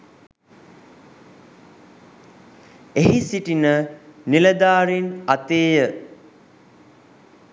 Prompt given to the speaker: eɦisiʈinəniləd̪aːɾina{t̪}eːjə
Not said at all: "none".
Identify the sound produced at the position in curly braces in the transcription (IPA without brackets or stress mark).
t̪